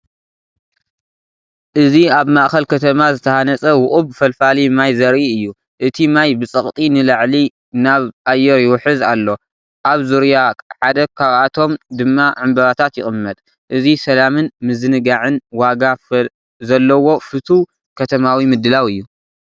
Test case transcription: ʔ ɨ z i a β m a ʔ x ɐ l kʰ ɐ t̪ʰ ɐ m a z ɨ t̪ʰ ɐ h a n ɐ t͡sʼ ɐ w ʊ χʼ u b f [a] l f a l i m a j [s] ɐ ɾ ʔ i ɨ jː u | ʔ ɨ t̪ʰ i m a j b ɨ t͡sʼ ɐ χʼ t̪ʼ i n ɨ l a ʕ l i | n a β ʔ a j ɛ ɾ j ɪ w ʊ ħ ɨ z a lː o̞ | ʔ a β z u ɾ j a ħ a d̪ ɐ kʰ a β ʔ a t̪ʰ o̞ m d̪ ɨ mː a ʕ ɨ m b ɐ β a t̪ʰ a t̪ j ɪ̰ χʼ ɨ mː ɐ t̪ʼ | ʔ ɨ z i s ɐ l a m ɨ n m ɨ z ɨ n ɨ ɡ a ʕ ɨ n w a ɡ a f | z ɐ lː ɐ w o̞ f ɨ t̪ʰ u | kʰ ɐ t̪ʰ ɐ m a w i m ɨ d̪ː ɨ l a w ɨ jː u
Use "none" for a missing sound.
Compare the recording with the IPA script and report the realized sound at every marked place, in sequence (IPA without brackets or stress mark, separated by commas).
ɐ, z